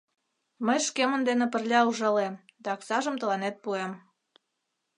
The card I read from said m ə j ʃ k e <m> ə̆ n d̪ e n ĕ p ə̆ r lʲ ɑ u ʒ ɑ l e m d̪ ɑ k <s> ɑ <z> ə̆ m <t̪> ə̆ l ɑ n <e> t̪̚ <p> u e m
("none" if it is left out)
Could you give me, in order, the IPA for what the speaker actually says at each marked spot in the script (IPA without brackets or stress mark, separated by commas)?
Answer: m, s, ʒ, t̪, e, p